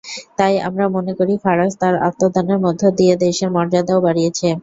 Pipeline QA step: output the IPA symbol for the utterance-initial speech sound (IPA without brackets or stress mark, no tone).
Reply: t̪